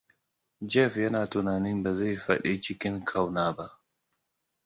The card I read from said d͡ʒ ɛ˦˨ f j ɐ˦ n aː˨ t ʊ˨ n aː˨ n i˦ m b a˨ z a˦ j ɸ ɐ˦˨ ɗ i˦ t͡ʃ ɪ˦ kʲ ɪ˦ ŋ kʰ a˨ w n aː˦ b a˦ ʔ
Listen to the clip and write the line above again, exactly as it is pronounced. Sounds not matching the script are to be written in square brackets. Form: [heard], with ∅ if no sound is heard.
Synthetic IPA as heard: d͡ʒ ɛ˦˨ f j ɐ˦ n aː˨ t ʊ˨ n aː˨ n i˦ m b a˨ z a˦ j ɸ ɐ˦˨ ɗ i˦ t͡ʃ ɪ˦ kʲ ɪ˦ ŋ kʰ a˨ w n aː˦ b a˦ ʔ